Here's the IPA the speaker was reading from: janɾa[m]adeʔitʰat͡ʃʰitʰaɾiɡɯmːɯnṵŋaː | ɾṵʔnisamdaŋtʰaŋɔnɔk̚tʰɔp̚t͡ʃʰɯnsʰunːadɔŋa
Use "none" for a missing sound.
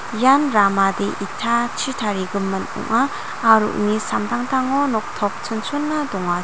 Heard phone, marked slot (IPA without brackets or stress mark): m